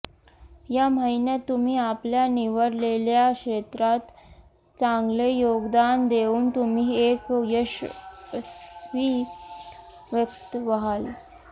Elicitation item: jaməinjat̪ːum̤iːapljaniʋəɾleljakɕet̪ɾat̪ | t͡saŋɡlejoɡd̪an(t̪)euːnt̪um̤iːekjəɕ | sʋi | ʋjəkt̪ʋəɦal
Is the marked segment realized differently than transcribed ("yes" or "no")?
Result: yes